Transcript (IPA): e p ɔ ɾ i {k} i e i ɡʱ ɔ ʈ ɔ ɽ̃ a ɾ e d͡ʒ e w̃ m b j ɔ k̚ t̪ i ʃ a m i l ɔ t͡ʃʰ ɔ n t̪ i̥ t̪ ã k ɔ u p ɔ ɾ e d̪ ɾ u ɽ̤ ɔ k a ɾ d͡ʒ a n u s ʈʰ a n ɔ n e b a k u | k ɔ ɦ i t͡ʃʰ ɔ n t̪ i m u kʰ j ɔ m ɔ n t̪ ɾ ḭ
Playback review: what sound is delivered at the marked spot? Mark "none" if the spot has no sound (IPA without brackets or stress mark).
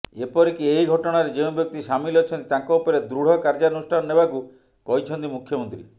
k